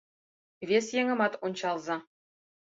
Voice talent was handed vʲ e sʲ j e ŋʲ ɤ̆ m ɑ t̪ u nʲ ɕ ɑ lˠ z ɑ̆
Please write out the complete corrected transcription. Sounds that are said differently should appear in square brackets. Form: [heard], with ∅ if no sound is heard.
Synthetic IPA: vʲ e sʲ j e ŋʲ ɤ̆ m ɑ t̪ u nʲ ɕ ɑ lˠ z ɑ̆